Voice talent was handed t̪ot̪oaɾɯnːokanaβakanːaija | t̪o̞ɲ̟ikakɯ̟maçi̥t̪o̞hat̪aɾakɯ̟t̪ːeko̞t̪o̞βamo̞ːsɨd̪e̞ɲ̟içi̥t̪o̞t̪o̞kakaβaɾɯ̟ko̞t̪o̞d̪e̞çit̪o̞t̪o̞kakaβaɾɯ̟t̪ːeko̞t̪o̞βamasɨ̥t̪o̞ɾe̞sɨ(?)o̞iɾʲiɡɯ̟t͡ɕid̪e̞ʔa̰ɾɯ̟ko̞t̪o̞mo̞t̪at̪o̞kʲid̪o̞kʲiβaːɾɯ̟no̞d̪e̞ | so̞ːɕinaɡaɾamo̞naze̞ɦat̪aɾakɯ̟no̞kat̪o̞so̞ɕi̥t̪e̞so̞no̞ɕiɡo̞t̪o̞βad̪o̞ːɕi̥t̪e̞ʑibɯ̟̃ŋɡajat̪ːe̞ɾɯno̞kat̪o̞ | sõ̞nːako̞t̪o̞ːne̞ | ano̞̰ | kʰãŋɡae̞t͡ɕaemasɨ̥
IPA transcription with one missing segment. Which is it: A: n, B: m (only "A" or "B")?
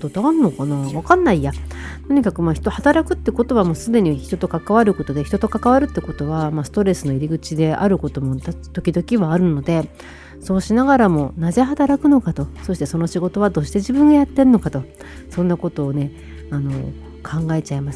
A